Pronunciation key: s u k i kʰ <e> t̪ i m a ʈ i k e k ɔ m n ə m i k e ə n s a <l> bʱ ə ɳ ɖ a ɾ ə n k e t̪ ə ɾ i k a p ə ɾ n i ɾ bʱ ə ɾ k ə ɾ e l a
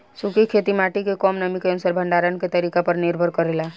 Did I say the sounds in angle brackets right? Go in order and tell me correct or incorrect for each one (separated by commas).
correct, incorrect